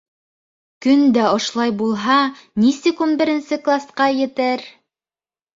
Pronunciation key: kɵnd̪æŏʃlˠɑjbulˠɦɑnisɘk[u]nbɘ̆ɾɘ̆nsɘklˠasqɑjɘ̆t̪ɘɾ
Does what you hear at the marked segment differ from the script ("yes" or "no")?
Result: no